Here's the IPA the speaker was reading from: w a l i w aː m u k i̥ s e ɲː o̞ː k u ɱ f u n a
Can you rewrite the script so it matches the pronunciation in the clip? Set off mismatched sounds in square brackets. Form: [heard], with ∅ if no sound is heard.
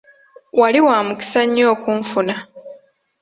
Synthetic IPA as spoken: w a l i w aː m u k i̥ s [a] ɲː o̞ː k u ɱ f u n a